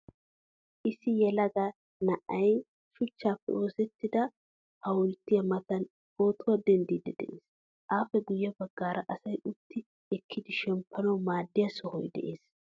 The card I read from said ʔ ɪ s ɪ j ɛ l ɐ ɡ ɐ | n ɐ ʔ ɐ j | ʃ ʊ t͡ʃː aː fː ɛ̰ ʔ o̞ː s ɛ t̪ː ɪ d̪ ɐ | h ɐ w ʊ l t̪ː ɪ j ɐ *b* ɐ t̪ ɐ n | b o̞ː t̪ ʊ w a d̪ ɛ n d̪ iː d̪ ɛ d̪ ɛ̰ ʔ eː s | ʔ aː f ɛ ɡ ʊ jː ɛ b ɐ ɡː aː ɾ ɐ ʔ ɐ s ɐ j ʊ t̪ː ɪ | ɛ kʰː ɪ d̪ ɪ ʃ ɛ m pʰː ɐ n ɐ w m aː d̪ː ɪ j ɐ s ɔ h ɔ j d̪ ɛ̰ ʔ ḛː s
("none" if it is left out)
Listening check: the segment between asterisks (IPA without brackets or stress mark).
m